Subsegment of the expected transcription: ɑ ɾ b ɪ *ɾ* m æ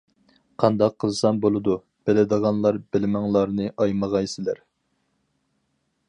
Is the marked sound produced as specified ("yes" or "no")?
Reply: no